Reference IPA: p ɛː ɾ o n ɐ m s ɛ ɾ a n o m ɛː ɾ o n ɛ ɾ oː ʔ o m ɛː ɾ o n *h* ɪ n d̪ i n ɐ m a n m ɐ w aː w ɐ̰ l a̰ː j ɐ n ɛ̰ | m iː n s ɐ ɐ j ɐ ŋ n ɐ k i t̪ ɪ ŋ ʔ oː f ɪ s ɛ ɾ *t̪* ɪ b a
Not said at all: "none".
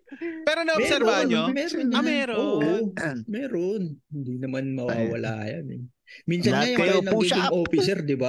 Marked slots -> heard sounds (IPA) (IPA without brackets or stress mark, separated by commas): h, d̪